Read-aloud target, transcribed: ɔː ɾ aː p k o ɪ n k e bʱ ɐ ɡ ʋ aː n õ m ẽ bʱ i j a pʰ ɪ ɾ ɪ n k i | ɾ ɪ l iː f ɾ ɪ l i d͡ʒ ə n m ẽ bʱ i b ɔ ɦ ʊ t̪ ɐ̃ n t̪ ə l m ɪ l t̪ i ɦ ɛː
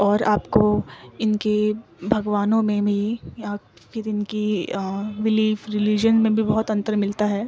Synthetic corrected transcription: ɔː ɾ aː p k o ɪ n k e bʱ ɐ ɡ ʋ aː n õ m ẽ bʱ i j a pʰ ɪ ɾ ɪ n k i | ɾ ɪ l iː f ɾ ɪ l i d͡ʒ ə n m ẽ bʱ i b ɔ ɦ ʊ t̪ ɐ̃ n t̪ ə ɾ m ɪ l t̪ a ɦ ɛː